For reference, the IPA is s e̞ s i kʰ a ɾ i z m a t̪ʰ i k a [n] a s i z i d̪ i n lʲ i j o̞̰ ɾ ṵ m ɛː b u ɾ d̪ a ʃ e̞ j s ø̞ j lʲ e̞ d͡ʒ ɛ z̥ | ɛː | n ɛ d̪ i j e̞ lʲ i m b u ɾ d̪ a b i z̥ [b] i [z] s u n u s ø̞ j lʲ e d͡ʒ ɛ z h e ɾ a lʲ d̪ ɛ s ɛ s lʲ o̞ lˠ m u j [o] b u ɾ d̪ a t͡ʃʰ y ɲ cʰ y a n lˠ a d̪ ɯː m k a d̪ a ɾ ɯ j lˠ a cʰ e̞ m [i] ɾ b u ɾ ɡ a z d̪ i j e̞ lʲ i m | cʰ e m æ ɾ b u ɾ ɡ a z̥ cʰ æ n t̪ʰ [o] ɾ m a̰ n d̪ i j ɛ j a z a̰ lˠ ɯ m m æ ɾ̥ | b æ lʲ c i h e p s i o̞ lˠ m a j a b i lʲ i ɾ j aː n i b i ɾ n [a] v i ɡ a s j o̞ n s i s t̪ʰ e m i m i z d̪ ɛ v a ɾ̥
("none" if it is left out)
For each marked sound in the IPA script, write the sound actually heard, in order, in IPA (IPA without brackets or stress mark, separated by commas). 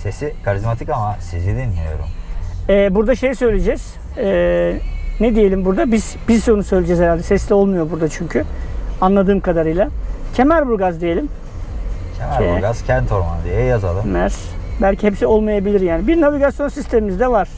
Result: m, b, z, o, æ, o, a